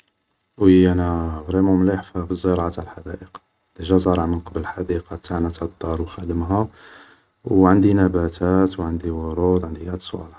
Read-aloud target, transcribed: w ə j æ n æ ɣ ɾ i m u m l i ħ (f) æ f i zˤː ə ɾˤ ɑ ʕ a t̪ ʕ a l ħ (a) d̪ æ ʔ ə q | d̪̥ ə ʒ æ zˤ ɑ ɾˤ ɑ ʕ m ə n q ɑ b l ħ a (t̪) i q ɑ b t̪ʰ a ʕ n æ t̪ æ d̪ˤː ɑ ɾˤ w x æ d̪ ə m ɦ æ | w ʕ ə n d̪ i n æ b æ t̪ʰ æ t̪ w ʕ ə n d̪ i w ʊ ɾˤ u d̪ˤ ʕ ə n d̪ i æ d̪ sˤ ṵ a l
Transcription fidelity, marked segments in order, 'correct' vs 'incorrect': correct, correct, incorrect: d̪

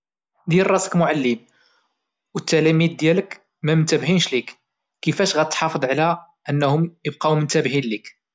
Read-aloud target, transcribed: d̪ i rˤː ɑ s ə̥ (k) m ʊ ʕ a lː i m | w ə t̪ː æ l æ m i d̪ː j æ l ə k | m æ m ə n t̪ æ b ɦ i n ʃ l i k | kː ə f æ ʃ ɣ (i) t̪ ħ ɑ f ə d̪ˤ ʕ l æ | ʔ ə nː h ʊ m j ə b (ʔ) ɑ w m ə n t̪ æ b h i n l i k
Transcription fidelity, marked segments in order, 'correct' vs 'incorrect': correct, incorrect: æ, incorrect: q

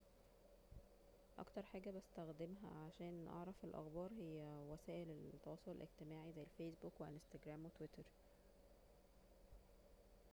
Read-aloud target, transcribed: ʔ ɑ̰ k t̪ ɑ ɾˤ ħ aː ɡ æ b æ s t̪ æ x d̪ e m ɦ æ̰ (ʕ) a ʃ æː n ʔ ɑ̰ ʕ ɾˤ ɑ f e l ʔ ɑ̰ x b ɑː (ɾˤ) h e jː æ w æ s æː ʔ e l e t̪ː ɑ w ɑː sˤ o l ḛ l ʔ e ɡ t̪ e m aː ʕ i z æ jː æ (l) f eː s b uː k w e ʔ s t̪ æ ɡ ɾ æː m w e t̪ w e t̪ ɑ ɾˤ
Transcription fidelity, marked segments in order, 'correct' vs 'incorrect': correct, correct, correct

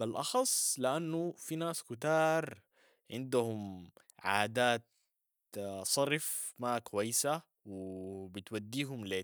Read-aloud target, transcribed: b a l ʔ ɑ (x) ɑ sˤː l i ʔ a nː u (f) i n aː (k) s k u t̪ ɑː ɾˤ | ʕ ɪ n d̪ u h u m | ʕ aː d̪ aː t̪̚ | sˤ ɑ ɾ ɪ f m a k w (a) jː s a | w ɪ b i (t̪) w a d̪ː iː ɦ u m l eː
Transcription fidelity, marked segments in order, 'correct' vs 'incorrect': correct, correct, incorrect: none, correct, correct

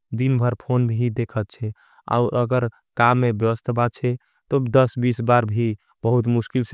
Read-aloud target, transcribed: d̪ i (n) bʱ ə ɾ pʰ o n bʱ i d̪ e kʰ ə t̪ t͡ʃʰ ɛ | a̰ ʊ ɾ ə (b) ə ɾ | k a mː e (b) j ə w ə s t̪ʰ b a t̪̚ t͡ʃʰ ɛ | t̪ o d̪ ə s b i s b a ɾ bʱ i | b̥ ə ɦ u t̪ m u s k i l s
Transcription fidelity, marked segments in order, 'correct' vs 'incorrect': correct, incorrect: ɡ, correct

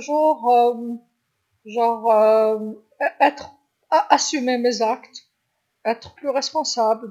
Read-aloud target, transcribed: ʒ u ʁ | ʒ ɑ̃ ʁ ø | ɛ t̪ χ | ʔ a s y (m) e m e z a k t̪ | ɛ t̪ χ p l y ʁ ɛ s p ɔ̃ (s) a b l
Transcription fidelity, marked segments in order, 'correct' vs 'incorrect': correct, correct

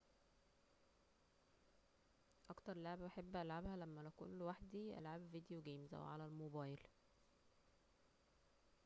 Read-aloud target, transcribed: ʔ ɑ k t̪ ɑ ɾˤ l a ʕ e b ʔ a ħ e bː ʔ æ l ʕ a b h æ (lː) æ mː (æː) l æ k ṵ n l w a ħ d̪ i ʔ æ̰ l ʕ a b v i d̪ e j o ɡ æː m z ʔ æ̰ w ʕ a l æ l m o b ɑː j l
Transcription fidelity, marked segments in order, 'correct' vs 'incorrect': incorrect: l, incorrect: æ

